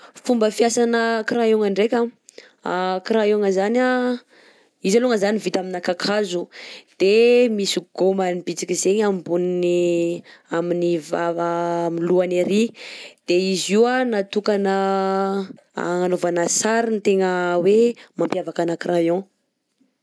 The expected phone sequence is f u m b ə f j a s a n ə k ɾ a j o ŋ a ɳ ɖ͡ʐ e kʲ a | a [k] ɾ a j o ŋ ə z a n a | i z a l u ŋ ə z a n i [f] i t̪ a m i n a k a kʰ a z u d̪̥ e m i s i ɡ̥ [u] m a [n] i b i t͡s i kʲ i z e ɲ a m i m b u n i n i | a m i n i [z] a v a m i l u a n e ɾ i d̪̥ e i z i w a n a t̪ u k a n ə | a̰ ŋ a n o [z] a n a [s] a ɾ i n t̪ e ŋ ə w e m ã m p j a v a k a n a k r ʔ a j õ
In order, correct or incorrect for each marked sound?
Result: correct, incorrect, incorrect, correct, incorrect, incorrect, correct

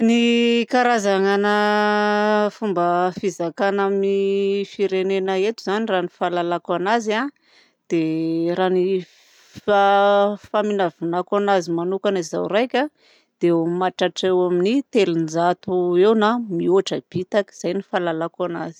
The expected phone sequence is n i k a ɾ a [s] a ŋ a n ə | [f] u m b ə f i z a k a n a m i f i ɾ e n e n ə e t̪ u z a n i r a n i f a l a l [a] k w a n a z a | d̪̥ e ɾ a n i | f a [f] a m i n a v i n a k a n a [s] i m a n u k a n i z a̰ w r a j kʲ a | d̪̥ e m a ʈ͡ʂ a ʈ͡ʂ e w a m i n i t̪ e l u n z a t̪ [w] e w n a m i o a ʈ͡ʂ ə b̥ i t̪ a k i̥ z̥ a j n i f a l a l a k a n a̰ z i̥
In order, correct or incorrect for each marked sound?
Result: incorrect, correct, correct, correct, incorrect, incorrect

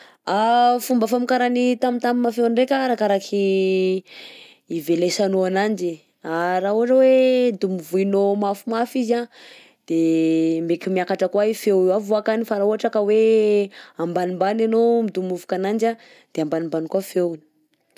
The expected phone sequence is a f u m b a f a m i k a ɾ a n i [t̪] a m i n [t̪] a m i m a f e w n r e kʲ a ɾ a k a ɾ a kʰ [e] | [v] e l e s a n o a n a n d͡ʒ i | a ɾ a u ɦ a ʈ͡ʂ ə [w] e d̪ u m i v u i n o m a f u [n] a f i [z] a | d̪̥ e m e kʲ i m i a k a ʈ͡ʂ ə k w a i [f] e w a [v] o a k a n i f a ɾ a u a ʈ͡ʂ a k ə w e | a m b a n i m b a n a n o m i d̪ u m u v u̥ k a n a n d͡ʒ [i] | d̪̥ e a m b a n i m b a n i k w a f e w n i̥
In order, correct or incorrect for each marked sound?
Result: correct, correct, incorrect, correct, correct, incorrect, correct, correct, correct, incorrect

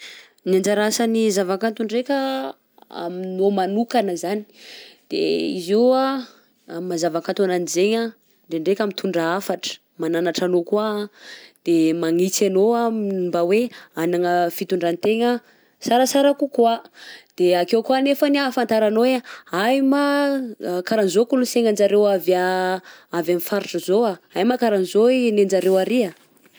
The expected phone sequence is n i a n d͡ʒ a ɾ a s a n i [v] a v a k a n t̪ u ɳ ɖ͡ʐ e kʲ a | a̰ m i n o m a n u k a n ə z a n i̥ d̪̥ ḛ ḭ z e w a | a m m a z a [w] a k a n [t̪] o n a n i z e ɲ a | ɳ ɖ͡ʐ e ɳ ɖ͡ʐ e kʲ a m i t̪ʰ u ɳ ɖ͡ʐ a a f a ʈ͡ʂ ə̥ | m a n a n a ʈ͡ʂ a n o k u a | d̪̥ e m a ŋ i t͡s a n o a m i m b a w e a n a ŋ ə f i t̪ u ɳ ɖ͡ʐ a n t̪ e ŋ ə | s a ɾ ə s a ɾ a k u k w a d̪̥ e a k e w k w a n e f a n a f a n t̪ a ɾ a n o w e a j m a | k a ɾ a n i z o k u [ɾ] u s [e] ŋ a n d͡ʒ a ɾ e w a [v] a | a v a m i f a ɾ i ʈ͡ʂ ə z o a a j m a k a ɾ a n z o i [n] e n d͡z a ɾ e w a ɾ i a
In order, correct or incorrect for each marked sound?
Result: incorrect, incorrect, correct, incorrect, correct, correct, correct

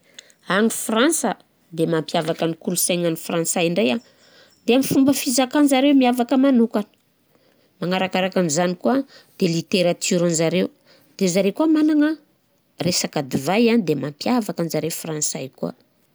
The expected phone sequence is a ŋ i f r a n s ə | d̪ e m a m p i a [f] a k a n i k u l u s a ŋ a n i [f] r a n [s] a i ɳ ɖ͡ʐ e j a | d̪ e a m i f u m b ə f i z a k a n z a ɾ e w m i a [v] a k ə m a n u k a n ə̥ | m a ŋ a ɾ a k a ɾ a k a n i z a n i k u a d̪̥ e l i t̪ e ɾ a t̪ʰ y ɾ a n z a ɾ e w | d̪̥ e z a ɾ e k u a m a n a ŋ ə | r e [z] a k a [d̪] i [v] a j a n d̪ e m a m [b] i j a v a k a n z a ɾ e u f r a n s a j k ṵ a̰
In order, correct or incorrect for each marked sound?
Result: incorrect, correct, correct, correct, incorrect, correct, correct, incorrect

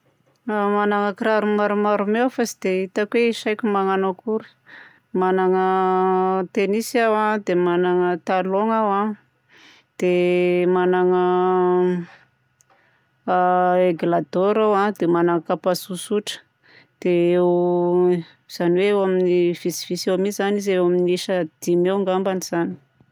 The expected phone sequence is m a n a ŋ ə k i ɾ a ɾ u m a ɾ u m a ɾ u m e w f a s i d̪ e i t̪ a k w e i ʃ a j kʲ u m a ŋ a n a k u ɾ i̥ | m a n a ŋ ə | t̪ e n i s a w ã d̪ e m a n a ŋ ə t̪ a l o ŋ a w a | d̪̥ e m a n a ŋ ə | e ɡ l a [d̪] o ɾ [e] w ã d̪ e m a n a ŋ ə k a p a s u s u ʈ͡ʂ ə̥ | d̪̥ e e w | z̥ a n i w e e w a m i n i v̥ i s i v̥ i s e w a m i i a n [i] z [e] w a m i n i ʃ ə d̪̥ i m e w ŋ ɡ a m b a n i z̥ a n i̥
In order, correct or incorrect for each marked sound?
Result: correct, incorrect, correct, correct

